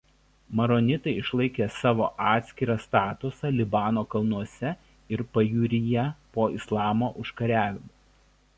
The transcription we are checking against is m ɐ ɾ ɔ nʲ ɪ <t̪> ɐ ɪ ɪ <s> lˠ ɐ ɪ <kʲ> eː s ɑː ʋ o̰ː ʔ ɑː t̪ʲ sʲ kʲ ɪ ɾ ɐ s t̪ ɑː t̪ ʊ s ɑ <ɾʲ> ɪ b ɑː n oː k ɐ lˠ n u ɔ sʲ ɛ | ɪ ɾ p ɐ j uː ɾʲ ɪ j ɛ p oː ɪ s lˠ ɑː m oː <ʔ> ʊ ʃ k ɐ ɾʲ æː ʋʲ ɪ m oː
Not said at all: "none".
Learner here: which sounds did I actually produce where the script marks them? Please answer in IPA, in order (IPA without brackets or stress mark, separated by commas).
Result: t̪, ʃ, kʲ, lʲ, ʔ